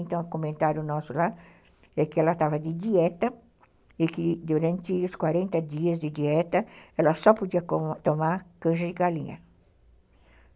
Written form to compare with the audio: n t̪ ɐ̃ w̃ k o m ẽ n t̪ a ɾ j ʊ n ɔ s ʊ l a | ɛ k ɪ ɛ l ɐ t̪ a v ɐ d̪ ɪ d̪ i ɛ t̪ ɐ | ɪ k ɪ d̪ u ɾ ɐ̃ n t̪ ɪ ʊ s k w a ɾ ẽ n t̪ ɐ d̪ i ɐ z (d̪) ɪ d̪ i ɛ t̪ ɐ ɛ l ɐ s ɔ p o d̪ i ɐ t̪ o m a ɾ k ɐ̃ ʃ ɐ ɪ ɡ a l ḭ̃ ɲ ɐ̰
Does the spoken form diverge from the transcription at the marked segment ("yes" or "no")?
no